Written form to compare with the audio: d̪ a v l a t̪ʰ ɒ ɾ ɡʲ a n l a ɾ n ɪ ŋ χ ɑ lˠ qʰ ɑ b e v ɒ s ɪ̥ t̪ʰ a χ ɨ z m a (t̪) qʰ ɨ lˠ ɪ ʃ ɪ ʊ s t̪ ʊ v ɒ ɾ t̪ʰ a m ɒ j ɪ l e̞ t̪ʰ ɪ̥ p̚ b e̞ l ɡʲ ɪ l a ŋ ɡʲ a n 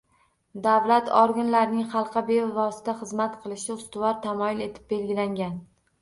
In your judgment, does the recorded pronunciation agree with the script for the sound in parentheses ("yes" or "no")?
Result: yes